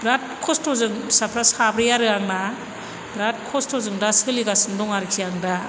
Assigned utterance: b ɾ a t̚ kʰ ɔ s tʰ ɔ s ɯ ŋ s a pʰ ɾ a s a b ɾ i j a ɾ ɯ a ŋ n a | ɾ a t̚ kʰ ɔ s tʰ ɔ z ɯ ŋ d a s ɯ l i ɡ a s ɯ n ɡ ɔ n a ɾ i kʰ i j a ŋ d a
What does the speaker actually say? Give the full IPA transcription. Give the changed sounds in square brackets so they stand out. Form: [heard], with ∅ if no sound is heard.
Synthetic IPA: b ɾ a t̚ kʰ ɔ s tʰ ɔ [z] ɯ ŋ s a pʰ ɾ a s a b ɾ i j a ɾ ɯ a ŋ n a | ɾ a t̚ kʰ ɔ s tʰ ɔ z ɯ ŋ d a s ɯ l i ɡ a s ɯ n [d] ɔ [ŋ] a ɾ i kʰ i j a ŋ d a